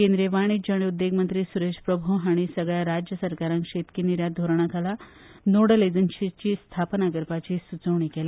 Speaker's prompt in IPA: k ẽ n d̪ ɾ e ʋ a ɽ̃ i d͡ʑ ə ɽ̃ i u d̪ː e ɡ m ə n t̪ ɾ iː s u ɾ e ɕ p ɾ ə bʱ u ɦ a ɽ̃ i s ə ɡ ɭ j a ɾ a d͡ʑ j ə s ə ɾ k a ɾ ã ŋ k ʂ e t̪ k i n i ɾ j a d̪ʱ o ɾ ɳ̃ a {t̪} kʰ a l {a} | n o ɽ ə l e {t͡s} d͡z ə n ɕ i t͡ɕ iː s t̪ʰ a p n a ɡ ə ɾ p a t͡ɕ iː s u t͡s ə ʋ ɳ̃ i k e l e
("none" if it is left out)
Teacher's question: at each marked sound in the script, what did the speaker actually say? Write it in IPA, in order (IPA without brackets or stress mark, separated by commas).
none, a, none